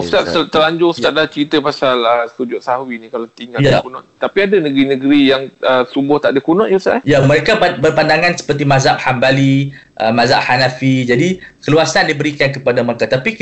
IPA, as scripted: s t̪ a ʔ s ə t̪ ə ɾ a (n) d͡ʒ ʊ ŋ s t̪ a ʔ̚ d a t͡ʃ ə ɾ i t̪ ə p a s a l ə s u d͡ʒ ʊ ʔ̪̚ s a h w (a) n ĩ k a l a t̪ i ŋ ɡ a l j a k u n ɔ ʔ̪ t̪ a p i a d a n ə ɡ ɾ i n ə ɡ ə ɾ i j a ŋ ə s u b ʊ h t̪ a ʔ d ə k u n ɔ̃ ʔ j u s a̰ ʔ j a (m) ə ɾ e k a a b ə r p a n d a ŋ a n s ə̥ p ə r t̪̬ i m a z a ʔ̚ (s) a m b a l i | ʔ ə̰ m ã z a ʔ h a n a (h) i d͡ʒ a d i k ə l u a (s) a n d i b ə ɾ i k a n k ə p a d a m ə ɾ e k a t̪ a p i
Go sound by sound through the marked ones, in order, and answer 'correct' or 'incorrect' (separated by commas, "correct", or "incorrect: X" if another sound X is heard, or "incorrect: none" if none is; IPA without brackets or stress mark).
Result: incorrect: ɲ, incorrect: i, correct, incorrect: h, incorrect: f, correct